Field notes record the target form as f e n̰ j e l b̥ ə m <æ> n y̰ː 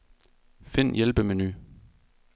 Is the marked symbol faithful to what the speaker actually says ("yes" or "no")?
no